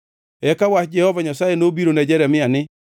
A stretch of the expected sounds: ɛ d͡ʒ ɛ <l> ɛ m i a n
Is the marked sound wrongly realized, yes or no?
yes